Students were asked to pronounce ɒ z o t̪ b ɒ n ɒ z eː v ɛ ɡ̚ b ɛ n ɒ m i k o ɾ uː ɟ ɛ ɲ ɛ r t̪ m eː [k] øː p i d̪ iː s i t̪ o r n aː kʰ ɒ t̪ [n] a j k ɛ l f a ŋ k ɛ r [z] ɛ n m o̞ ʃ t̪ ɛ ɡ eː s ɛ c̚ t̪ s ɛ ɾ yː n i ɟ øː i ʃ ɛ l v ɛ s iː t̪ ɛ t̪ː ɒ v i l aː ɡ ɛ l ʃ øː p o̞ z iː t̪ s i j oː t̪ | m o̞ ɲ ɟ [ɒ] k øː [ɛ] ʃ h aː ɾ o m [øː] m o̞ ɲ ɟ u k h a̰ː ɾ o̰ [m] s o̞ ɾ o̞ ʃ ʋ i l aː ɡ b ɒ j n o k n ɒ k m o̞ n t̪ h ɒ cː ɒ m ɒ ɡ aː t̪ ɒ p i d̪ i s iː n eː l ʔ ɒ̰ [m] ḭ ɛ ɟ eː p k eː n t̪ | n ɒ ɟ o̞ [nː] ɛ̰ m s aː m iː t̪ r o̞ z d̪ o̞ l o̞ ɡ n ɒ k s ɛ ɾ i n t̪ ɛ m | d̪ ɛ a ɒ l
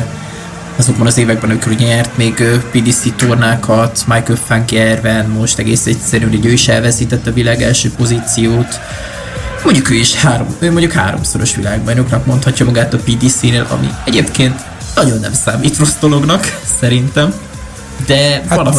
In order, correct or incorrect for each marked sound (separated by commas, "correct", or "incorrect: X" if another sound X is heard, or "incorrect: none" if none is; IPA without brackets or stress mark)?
incorrect: ɡ, incorrect: m, incorrect: v, incorrect: u, incorrect: i, correct, correct, correct, correct